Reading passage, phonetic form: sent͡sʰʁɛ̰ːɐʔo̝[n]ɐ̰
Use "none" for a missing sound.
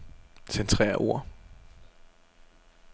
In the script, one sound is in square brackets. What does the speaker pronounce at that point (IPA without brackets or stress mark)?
none